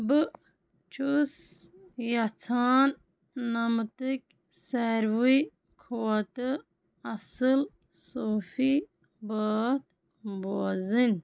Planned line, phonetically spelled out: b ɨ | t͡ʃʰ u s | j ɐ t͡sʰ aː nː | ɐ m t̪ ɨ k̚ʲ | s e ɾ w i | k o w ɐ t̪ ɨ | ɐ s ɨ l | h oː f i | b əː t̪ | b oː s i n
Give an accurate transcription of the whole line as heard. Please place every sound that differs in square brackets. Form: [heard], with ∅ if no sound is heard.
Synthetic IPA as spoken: b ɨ | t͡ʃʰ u s | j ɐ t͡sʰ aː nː | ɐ m t̪ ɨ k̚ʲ | s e ɾ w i | [kʰ] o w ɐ t̪ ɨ | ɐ s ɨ l | [s] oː f i | b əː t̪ | b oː [z] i n